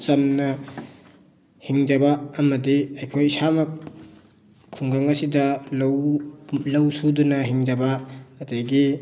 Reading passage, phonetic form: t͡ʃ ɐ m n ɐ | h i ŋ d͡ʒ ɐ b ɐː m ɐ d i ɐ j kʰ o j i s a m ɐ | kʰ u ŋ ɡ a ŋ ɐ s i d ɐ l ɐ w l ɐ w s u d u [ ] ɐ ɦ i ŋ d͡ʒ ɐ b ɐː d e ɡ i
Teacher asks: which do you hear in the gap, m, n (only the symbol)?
n